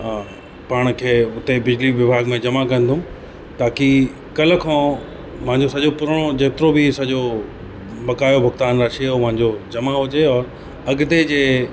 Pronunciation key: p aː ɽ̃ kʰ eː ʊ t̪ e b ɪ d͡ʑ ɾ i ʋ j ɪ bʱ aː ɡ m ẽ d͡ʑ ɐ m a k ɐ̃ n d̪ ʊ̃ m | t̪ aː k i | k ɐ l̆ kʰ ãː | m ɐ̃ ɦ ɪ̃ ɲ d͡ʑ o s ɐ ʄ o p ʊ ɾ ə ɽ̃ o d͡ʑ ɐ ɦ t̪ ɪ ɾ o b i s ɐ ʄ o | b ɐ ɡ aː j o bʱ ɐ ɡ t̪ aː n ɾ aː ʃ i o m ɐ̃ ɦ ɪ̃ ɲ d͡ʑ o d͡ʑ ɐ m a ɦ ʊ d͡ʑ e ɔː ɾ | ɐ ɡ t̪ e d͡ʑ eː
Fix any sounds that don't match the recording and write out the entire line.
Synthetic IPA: p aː ɽ̃ kʰ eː ʊ t̪ e b ɪ d͡ʑ l i ʋ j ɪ bʱ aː ɡ m ẽ d͡ʑ ɐ m a k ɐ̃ n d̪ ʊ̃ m | t̪ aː k i | k ɐ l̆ kʰ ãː | m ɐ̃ ɦ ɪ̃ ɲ d͡ʑ o s ɐ ʄ o p ʊ ɾ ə ɽ̃ o d͡ʑ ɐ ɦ t̪ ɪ ɾ o b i s ɐ ʄ o | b ɐ k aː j o bʱ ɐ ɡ t̪ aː n ɾ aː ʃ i o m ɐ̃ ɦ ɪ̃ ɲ d͡ʑ o d͡ʑ ɐ m a ɦ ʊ d͡ʑ e ɔː ɾ | ɐ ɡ t̪ e d͡ʑ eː